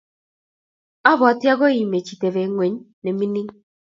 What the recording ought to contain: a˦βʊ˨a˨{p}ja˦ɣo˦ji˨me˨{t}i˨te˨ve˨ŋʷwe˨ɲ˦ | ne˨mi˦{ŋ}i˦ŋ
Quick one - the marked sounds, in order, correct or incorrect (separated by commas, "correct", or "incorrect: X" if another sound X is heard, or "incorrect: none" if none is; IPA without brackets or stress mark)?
incorrect: t, incorrect: t͡ʃ, incorrect: n